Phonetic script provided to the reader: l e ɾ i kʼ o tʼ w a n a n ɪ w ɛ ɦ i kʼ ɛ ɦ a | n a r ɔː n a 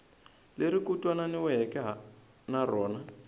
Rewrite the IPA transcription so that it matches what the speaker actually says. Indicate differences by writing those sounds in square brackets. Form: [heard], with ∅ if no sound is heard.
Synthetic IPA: l e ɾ i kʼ [u] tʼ w a n a n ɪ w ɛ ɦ [ɛ] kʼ ɛ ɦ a | n a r ɔː n a